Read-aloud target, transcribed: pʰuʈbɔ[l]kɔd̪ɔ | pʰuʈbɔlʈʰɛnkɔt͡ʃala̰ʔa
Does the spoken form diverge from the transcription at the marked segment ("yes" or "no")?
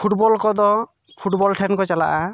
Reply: no